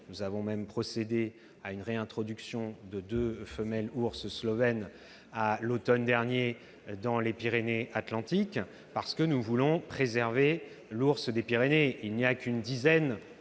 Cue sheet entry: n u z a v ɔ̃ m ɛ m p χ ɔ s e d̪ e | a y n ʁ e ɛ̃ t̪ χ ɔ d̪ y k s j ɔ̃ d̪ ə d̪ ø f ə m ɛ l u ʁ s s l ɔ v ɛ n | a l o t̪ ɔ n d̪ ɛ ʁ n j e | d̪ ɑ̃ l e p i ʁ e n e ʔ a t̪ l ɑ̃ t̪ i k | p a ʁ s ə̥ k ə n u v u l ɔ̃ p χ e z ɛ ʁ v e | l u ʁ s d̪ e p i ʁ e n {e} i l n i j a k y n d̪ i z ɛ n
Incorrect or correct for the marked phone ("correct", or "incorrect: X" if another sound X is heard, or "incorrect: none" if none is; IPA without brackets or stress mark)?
correct